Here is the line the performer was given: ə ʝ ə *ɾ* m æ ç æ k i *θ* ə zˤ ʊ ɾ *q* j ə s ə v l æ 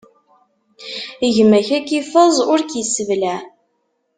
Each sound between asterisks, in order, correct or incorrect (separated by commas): incorrect, incorrect, incorrect